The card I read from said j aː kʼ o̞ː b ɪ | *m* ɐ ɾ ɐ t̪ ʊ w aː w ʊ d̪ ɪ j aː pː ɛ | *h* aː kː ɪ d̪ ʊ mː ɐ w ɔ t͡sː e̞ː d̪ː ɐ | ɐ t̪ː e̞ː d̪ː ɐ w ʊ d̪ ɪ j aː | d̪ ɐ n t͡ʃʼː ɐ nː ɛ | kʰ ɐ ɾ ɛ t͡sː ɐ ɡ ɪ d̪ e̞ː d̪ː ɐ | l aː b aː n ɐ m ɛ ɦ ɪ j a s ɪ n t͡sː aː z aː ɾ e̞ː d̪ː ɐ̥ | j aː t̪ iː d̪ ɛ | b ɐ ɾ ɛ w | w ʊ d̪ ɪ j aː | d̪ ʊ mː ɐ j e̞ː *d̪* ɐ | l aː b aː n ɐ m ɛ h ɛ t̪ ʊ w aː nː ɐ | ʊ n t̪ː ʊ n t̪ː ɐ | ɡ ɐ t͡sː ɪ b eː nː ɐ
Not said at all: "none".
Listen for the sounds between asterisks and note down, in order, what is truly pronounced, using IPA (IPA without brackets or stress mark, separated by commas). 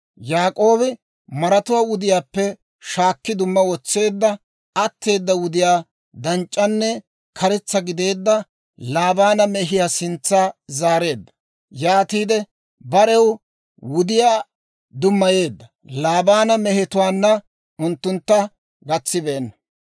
m, ʃ, d̪ː